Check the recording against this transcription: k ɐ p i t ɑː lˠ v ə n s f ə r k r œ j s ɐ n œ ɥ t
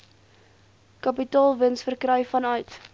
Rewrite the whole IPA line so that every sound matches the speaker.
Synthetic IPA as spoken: k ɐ p i t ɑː lˠ v ə n s f ə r k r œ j f ɐ n œ ɥ t